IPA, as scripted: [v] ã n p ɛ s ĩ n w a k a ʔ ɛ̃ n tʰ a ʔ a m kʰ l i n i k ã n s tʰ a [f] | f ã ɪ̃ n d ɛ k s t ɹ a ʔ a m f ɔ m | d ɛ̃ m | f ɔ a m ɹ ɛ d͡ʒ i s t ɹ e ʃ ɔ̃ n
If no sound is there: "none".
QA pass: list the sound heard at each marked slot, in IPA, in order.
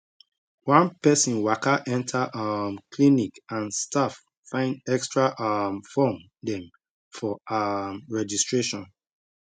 w, f

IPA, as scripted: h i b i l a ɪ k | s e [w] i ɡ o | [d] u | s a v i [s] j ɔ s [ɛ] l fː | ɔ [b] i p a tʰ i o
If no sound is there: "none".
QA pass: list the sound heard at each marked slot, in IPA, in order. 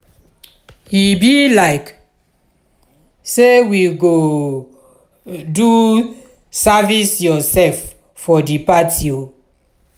w, d, s, ɛ, d

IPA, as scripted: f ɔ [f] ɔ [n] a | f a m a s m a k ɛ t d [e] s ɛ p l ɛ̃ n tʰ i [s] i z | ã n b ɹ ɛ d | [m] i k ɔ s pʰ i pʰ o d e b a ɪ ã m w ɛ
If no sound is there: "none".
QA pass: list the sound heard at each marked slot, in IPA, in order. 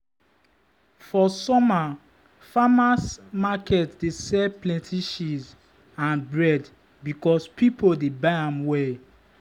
s, m, e, ʃ, b

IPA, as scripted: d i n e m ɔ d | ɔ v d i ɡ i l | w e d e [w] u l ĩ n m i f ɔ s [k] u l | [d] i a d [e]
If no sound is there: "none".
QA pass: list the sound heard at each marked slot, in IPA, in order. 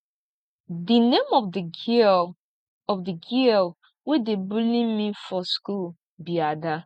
b, k, b, a

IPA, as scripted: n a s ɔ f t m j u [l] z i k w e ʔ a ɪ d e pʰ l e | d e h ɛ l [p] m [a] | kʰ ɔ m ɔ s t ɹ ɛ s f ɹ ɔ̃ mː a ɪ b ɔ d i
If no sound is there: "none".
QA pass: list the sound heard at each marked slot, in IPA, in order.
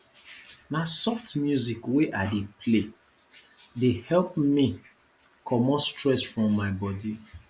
none, p, i

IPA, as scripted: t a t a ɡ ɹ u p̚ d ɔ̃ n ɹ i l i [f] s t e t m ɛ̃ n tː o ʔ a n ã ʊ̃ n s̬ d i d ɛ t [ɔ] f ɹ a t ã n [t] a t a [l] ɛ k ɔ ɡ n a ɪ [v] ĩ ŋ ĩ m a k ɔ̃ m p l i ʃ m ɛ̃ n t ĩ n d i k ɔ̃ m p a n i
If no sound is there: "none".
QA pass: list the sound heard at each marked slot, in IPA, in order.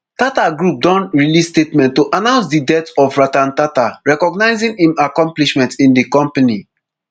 s, ɔ, t, ɹ, z

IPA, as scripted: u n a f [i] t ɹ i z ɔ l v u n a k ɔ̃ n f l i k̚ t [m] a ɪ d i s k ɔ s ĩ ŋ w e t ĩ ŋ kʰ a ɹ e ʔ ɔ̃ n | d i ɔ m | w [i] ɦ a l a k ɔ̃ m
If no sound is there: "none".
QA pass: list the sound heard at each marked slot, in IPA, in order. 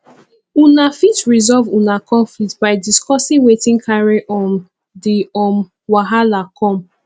i, b, a

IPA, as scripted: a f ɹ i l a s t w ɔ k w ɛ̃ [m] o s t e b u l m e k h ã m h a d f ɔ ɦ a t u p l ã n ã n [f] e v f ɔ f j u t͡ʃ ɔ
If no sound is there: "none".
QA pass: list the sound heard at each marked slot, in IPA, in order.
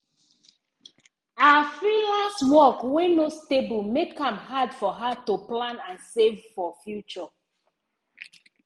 n, s

